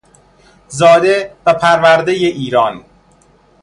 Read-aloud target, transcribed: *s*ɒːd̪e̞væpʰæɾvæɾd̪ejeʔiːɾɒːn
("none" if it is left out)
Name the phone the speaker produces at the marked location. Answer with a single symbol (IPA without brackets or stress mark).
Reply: z